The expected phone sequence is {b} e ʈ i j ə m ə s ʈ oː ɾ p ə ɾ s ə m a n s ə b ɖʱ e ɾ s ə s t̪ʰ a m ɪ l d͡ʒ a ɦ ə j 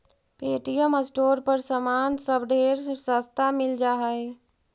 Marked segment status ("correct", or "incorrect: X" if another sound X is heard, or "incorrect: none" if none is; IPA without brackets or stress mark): incorrect: p